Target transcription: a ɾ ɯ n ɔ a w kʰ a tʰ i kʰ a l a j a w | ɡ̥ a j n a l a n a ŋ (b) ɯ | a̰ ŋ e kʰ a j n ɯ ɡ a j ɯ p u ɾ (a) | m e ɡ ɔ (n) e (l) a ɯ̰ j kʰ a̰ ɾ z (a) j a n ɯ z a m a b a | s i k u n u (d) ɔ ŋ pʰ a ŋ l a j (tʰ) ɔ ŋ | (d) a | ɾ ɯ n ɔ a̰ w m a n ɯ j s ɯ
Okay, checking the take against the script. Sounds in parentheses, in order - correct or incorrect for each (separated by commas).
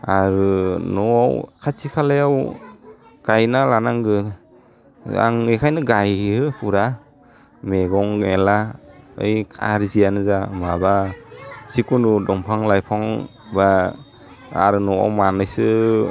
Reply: incorrect, correct, incorrect, correct, incorrect, correct, incorrect, incorrect